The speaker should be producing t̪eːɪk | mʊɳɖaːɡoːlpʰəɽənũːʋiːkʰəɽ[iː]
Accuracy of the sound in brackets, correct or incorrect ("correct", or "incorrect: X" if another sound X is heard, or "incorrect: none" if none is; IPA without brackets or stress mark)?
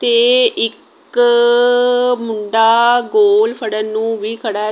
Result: incorrect: aː